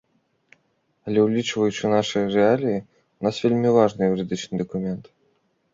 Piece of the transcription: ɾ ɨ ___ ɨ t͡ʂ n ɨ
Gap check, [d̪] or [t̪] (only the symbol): d̪